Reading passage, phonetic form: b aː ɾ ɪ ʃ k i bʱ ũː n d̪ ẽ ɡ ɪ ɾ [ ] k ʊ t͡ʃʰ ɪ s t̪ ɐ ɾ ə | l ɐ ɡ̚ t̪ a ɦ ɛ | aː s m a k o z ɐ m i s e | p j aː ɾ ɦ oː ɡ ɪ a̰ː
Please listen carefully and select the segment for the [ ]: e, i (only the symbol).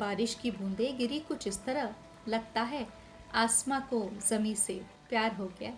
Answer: i